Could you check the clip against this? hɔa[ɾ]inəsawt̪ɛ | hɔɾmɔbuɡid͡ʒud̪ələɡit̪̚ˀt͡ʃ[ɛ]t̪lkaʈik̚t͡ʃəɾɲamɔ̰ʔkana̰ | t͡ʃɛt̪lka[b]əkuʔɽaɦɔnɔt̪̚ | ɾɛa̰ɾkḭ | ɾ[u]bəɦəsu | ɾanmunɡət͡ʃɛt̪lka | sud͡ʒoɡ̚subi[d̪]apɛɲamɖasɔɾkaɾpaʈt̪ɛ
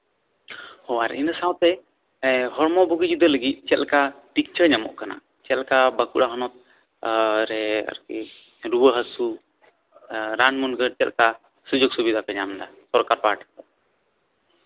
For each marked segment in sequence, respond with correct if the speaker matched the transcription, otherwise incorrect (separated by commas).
correct, correct, correct, correct, correct